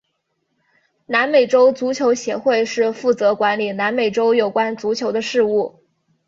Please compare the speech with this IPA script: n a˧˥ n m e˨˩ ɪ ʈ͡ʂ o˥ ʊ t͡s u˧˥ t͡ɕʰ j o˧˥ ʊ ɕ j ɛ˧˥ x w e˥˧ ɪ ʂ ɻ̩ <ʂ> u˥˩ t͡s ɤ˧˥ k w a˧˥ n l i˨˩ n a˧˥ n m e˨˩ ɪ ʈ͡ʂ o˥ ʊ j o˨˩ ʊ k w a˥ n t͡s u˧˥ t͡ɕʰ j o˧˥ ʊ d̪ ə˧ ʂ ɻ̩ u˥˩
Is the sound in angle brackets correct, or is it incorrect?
incorrect